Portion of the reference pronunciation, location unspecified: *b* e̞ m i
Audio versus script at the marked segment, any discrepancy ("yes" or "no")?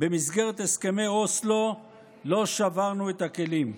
no